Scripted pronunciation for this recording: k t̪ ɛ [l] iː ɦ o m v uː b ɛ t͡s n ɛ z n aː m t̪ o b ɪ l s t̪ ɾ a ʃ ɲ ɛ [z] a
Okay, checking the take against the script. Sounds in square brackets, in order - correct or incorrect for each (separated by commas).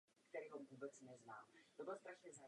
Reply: incorrect, correct